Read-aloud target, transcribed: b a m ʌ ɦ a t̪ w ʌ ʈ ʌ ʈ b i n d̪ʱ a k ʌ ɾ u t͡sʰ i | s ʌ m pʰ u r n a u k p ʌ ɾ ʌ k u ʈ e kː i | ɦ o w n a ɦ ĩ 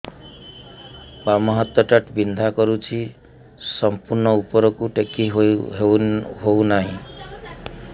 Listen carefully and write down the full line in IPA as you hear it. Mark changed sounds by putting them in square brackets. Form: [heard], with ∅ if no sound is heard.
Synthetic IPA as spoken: b a m ʌ ɦ [ʌ] t̪ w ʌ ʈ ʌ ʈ b i n d̪ʱ a k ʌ ɾ u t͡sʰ i | s ʌ m [p] u r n [ʌ] u [∅] p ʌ ɾ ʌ k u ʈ e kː i | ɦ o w n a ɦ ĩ